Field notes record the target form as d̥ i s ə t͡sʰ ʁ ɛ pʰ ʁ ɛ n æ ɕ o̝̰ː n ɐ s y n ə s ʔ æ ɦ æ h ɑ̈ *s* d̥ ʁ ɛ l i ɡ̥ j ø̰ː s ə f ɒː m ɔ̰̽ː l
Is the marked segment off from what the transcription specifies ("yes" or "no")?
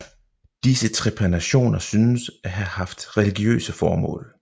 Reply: yes